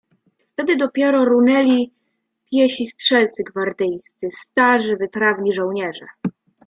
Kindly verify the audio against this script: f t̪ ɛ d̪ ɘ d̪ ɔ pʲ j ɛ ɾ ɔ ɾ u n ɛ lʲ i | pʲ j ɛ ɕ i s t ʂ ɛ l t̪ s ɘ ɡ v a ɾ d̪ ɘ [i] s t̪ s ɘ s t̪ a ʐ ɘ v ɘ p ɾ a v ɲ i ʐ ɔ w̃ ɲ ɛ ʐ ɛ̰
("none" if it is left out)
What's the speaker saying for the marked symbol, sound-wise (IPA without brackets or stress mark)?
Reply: j